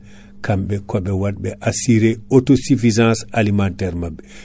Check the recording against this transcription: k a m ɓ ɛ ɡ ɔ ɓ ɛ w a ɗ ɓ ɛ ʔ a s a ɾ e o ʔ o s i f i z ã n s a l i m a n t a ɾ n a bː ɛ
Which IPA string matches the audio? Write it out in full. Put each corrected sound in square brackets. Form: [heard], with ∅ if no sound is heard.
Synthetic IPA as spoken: k a m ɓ ɛ [k] ɔ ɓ ɛ w a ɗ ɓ ɛ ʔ a s [i] ɾ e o [t] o s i f i z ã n s a l i m a n t [ɛ] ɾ [m] a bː ɛ